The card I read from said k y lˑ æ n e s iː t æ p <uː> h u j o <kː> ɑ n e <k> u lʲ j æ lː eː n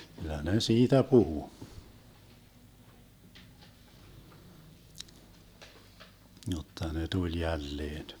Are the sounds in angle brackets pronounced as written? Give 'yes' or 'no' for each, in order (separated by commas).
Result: no, no, no